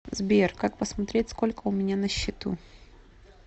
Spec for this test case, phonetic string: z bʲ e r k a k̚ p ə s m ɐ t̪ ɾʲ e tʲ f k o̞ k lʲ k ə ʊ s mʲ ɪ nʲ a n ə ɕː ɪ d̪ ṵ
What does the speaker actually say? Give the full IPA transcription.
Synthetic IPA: z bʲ e r k a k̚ p ə s m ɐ t̪ ɾʲ e tʲ s k o̞ lʲ k ə ʊ mʲ ɪ nʲ a n ə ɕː ɪ t̪ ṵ